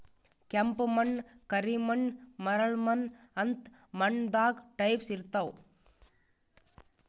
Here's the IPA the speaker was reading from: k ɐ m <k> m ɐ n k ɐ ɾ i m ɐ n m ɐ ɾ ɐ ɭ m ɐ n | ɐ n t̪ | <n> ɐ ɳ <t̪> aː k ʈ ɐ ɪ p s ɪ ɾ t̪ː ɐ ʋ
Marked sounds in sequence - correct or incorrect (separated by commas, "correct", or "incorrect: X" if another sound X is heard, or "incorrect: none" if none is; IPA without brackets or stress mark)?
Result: incorrect: p, incorrect: m, incorrect: d̪